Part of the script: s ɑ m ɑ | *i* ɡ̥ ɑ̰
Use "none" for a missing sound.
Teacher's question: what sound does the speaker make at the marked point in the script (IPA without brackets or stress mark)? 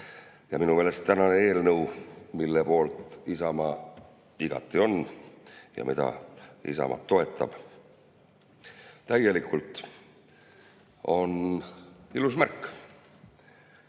i